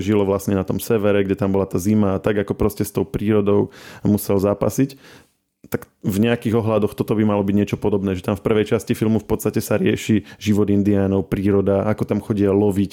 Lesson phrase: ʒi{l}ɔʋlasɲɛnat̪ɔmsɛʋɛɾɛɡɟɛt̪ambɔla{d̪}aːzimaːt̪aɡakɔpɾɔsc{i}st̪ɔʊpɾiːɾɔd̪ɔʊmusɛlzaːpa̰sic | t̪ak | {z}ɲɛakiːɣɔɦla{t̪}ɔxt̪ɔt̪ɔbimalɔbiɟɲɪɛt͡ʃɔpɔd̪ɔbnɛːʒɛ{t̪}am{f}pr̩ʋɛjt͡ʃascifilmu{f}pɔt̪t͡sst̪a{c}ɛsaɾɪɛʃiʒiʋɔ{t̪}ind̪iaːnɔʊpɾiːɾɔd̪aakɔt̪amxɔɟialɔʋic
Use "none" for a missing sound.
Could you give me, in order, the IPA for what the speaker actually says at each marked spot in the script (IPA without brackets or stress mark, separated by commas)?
l, t̪, ɛ, v, d̪, t̪, f, f, c, d̪